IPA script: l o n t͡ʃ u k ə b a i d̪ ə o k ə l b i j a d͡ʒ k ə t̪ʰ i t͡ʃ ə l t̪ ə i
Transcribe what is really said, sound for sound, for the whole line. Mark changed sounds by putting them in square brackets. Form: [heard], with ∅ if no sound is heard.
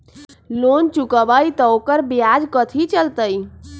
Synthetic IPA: l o n t͡ʃ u k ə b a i [t̪] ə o k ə [ɾ] b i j a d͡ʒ k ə t̪ʰ i t͡ʃ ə l t̪ ə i